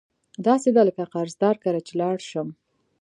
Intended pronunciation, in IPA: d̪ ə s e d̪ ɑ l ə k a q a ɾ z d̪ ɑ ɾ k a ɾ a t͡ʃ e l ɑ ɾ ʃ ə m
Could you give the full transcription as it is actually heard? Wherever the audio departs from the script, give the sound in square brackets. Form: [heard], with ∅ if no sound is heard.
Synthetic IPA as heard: d̪ [ɑ] s e d̪ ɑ l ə k a q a ɾ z d̪ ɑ ɾ k a ɾ a t͡ʃ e l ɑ [ɽ] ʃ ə m